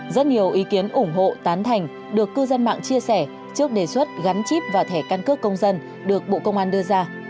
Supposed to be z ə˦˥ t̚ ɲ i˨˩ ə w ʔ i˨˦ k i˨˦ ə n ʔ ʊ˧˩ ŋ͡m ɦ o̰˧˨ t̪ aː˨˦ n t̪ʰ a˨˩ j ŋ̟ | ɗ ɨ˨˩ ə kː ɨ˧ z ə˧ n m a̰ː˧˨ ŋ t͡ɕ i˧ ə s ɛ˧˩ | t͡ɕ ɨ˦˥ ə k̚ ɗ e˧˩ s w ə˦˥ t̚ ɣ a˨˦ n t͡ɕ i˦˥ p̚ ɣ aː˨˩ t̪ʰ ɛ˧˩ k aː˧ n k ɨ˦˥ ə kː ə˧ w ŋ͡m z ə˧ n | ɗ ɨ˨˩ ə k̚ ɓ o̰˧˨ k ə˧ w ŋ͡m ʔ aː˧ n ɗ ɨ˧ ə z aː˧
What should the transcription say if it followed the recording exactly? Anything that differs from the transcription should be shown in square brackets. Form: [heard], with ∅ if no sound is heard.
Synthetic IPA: z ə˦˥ t̚ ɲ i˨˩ ə w ʔ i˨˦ k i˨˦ ə n ʔ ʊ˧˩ ŋ͡m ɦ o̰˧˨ t̪ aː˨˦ n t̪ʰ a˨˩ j ŋ̟ | ɗ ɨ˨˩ ə kː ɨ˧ z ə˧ n m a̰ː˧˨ ŋ t͡ɕ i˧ ə s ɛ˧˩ | t͡ɕ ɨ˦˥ ə k̚ ɗ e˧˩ s w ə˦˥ t̚ ɣ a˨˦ n t͡ɕ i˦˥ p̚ [v] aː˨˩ t̪ʰ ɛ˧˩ k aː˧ n k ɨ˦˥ ə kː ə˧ w ŋ͡m z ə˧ n | ɗ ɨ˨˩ ə k̚ ɓ o̰˧˨ k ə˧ w ŋ͡m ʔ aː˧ n ɗ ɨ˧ ə z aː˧

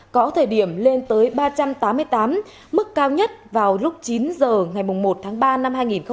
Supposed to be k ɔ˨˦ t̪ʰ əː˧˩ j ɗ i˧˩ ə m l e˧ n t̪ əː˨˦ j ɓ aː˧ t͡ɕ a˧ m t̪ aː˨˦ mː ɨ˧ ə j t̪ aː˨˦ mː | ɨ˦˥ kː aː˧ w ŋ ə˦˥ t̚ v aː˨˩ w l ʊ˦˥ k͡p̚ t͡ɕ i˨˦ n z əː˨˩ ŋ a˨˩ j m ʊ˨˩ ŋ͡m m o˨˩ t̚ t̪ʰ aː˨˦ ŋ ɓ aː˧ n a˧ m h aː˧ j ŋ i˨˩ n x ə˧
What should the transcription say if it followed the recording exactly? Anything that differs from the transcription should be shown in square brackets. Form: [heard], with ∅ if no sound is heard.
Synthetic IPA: k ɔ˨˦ t̪ʰ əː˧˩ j ɗ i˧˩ ə m l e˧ n t̪ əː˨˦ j ɓ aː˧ t͡ɕ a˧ m t̪ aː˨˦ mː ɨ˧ ə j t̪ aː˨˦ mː | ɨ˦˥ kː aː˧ w [ɲ] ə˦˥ t̚ v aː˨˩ w l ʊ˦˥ k͡p̚ t͡ɕ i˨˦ n z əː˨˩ ŋ a˨˩ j m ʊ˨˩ ŋ͡m m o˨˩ t̚ t̪ʰ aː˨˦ ŋ ɓ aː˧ n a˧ m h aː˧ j ŋ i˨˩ n x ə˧

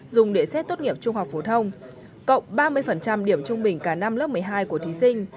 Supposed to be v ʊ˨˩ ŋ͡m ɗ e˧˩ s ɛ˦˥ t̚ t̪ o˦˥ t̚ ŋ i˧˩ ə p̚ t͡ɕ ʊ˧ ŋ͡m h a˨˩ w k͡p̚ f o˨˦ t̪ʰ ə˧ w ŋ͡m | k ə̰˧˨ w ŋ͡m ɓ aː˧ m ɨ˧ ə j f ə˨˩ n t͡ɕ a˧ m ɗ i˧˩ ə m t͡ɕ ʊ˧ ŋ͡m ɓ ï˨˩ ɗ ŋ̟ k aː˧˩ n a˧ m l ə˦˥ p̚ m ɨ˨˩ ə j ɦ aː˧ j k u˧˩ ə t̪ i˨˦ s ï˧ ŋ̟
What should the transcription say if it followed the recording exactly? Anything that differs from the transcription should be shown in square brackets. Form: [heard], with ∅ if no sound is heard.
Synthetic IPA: [z] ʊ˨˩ ŋ͡m ɗ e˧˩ s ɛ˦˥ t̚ t̪ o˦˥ t̚ ŋ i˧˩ ə p̚ t͡ɕ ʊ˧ ŋ͡m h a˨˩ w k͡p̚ f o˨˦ t̪ʰ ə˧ w ŋ͡m | k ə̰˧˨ w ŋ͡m ɓ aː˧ m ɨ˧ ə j f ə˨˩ n t͡ɕ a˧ m ɗ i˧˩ ə m t͡ɕ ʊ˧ ŋ͡m ɓ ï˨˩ [∅] ŋ̟ k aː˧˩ n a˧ m l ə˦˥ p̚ m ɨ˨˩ ə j ɦ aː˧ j k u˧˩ ə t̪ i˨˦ s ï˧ ŋ̟

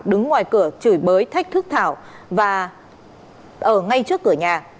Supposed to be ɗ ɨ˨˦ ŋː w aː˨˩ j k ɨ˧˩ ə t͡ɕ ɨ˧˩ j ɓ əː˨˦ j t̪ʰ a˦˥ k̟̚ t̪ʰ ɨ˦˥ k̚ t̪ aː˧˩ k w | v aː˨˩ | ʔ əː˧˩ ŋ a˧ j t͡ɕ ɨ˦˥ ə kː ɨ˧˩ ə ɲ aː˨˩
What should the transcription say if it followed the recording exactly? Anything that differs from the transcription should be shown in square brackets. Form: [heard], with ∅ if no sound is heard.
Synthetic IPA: ɗ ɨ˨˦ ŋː w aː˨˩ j k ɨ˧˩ ə t͡ɕ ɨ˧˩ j ɓ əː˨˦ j t̪ʰ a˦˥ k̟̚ t̪ʰ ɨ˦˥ k̚ [t̪ʰ] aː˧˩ [∅] w | v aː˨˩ | ʔ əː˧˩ ŋ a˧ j t͡ɕ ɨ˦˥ ə kː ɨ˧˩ ə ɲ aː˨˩

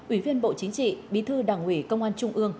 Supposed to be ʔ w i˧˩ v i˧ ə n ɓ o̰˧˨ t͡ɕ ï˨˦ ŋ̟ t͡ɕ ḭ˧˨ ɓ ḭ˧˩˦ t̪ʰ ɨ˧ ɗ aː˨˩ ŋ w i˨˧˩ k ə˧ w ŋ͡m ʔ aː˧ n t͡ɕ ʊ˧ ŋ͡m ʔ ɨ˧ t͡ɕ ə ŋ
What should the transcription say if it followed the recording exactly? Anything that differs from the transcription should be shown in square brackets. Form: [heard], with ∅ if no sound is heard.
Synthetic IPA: ʔ w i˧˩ v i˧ ə n ɓ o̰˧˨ t͡ɕ ï˨˦ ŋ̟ t͡ɕ ḭ˧˨ ɓ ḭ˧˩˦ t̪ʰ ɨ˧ ɗ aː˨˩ ŋ w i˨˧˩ k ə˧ w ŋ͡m ʔ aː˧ n t͡ɕ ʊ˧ ŋ͡m ʔ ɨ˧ [∅] ə ŋ

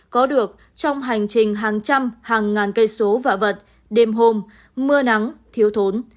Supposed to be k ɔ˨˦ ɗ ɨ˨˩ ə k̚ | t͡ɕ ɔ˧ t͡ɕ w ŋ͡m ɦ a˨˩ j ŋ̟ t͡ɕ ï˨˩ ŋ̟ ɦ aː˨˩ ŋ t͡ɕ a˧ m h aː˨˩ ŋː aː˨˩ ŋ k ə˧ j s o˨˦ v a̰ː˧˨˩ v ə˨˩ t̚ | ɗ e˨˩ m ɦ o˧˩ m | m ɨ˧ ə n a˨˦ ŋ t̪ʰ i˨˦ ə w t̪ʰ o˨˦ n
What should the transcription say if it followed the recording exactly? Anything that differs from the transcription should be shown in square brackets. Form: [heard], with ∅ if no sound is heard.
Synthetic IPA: k ɔ˨˦ ɗ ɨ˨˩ ə k̚ | t͡ɕ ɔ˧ [∅] w ŋ͡m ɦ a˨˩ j ŋ̟ t͡ɕ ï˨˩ ŋ̟ ɦ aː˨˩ ŋ t͡ɕ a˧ m h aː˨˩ ŋː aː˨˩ [n] k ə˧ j s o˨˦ v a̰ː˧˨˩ v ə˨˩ t̚ | ɗ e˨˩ m ɦ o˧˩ m | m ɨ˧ ə n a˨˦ ŋ t̪ʰ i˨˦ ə w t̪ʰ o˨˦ n

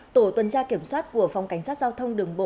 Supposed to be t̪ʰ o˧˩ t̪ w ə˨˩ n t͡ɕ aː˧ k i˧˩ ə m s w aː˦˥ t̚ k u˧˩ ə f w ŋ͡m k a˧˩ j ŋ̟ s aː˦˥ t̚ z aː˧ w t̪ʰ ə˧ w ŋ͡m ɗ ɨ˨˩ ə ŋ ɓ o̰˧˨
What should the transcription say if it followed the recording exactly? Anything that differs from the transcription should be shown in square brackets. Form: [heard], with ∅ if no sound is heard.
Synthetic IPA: [t̪] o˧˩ t̪ w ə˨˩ n t͡ɕ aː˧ k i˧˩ ə m s w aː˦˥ t̚ k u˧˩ ə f w ŋ͡m k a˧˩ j ŋ̟ s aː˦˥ t̚ z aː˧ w t̪ʰ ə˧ w ŋ͡m ɗ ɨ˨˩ ə ŋ ɓ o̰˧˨

